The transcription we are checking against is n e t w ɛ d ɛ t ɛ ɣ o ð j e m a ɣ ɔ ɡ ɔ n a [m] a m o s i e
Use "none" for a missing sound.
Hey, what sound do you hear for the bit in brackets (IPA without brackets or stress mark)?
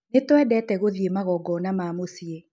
m